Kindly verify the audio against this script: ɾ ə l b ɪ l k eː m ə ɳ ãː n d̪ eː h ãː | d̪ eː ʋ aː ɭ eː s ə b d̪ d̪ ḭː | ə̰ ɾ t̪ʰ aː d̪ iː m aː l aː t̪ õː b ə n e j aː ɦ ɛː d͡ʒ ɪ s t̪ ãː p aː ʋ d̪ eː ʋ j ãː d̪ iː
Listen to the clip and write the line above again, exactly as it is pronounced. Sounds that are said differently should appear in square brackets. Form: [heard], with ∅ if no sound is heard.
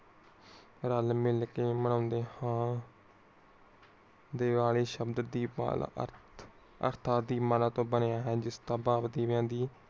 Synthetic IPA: ɾ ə l [m] ɪ l k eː m ə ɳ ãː n d̪ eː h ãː | d̪ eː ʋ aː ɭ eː [ʃ] ə b d̪ d̪ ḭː | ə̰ ɾ t̪ʰ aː d̪ iː m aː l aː t̪ õː b ə n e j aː ɦ ɛː d͡ʒ ɪ s t̪ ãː [b] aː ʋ d̪ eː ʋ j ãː d̪ iː

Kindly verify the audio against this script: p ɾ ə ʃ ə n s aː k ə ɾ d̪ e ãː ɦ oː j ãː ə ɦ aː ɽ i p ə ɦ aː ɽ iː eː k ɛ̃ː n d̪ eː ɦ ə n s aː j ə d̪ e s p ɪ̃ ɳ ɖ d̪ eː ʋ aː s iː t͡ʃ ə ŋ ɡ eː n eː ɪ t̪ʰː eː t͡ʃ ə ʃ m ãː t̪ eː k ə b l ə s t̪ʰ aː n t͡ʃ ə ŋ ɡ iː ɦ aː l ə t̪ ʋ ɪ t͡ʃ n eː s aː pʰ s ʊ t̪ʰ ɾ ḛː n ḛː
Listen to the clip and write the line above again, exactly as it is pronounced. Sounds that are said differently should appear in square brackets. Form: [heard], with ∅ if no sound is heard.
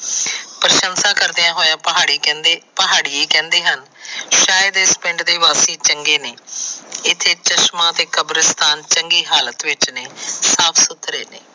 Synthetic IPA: p ɾ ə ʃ ə n s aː k ə ɾ d̪ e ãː ɦ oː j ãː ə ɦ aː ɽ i p ə ɦ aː ɽ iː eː k ɛ̃ː n d̪ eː ɦ ə n [ʃ] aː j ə d̪ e s p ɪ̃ ɳ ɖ d̪ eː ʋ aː s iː t͡ʃ ə ŋ ɡ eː n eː ɪ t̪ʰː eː t͡ʃ ə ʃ m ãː t̪ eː k ə b [ɾ] ə s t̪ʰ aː n t͡ʃ ə ŋ ɡ iː ɦ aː l ə t̪ ʋ ɪ t͡ʃ n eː s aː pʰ s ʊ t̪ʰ ɾ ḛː n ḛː

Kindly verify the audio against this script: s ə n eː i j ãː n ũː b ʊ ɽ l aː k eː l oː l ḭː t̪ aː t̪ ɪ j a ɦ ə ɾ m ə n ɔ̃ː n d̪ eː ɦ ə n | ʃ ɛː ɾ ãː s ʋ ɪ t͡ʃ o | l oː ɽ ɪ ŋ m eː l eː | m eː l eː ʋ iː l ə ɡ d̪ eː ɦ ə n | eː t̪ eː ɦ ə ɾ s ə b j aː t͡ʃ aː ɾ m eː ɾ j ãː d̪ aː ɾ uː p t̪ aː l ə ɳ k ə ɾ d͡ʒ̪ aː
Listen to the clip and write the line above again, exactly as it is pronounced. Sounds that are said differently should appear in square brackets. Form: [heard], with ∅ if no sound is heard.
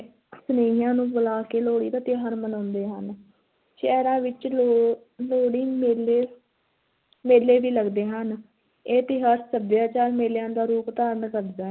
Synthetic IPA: s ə n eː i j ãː n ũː b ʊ [∅] l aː k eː l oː [ɽ] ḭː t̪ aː t̪ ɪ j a ɦ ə ɾ m ə n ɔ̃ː n d̪ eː ɦ ə n | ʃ ɛː ɾ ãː [∅] ʋ ɪ t͡ʃ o | l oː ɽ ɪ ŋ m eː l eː | m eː l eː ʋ iː l ə ɡ d̪ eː ɦ ə n | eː t̪ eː ɦ ə ɾ s ə b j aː t͡ʃ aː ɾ m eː [l] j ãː d̪ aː ɾ uː p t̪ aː [ɾ] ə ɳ k ə ɾ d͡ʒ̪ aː

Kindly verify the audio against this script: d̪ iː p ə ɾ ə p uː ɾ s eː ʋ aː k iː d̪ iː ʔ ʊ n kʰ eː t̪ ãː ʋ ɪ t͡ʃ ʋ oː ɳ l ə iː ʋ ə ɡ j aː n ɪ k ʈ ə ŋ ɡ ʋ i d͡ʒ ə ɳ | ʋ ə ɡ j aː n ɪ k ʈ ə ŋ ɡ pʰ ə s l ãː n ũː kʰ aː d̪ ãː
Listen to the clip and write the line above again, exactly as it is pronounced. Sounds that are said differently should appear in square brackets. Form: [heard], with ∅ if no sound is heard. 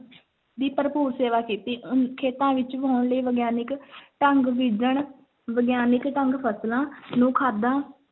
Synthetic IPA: d̪ iː p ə ɾ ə p uː ɾ s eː ʋ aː k iː [t̪] iː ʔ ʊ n kʰ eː t̪ ãː ʋ ɪ t͡ʃ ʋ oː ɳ l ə iː ʋ ə ɡ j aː n ɪ k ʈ ə ŋ ɡ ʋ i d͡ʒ ə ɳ | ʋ ə ɡ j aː n ɪ k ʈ ə ŋ ɡ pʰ ə s l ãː n ũː kʰ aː d̪ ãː

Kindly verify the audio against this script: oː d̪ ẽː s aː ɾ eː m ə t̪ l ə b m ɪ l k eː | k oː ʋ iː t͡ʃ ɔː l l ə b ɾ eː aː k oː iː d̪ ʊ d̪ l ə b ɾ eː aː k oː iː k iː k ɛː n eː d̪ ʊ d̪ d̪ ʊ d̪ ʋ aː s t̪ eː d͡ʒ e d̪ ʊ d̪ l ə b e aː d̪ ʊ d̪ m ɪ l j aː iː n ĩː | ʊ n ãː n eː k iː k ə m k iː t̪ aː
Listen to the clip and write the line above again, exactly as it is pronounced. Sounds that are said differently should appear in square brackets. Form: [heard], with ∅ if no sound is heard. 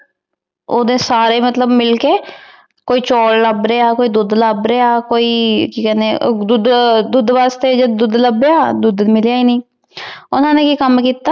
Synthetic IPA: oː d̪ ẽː s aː ɾ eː m ə t̪ l ə b m ɪ l k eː | k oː [∅] iː t͡ʃ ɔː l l ə b ɾ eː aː k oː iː d̪ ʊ d̪ l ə b ɾ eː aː k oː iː k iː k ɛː n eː d̪ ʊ d̪ d̪ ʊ d̪ ʋ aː s t̪ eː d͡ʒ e d̪ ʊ d̪ l ə b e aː d̪ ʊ d̪ m ɪ l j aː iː n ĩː | ʊ n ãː n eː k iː k ə m k iː t̪ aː

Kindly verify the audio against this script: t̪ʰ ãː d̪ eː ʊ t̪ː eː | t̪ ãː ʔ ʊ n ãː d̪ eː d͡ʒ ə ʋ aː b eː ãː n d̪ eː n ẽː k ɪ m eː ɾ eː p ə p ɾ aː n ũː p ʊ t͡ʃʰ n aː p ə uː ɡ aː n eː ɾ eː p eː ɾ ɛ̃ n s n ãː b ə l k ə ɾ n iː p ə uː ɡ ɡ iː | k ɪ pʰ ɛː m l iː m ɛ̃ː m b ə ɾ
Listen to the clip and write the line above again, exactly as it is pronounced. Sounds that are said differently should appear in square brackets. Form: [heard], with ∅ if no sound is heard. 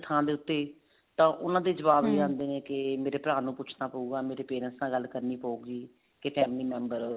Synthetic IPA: t̪ʰ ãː d̪ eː ʊ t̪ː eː | t̪ ãː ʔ ʊ n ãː d̪ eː d͡ʒ ə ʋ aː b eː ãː n d̪ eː n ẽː k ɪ m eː ɾ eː p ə [∅] ɾ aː n ũː p ʊ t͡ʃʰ n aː p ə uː ɡ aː [m] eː ɾ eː p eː ɾ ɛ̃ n s n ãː [ɡ] ə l k ə ɾ n iː p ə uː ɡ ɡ iː | k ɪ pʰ ɛː m l iː m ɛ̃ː m b ə ɾ

